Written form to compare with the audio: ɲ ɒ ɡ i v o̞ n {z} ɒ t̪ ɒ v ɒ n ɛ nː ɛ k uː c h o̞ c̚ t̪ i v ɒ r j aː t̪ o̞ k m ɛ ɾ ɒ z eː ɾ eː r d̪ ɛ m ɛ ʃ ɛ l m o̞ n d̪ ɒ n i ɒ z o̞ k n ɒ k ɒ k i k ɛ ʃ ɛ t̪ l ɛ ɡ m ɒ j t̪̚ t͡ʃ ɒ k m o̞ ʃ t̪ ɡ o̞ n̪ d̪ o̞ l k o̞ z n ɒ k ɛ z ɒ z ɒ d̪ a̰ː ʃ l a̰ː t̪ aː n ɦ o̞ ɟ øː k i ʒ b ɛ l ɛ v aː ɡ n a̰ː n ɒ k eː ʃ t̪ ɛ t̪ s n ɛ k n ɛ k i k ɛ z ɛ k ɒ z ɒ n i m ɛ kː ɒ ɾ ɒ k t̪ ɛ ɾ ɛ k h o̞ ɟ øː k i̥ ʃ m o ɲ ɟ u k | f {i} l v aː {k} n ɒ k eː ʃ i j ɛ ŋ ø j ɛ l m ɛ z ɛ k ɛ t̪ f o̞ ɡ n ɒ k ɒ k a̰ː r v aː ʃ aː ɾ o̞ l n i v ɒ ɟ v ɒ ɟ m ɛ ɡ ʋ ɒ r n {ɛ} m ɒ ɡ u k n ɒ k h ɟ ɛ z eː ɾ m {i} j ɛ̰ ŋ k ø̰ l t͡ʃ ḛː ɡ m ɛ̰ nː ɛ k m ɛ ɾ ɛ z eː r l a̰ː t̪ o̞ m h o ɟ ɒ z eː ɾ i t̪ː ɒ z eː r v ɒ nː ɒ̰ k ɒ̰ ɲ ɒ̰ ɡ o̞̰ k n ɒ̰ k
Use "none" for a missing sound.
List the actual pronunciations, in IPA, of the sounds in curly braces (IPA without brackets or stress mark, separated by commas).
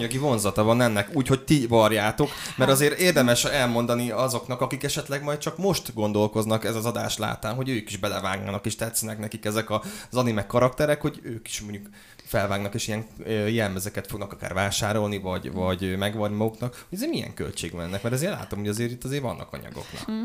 z, ɛ, ɡ, i, i